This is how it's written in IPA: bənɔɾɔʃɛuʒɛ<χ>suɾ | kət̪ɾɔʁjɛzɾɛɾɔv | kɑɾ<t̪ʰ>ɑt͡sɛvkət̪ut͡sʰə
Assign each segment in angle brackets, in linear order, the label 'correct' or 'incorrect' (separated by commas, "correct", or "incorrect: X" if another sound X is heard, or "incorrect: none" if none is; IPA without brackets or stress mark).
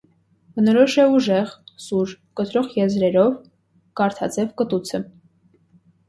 incorrect: ʁ, correct